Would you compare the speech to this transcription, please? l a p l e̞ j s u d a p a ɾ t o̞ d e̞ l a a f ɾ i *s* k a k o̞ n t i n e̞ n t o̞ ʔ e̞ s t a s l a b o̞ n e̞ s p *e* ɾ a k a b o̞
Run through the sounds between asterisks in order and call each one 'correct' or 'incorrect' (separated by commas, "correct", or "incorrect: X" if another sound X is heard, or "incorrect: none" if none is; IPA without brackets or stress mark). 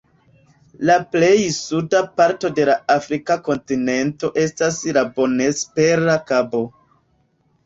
incorrect: none, correct